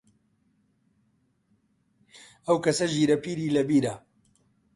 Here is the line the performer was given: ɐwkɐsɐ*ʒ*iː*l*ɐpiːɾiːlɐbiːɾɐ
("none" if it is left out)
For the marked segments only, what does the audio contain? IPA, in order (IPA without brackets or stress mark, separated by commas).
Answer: ʒ, ɾ